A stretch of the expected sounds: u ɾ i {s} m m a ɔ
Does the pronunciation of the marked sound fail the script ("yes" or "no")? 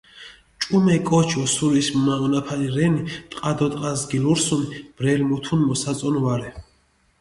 no